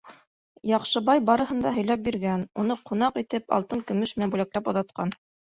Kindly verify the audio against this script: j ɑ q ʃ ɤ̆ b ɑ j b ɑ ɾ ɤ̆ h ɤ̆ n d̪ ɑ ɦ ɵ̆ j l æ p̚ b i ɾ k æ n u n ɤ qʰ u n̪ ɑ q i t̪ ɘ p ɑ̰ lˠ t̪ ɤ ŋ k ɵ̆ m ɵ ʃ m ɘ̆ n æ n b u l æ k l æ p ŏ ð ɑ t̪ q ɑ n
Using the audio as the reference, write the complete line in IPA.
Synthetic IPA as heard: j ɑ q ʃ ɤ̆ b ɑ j b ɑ ɾ ɤ̆ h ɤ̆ n d̪ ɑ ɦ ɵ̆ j l æ p̚ b i ɾ ɡ æ n u n ɤ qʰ u n̪ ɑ q i t̪ ɘ p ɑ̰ lˠ t̪ ɤ ŋ k ɵ̆ m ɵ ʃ m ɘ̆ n æ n b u l æ k l æ p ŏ ð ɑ t̪ q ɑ n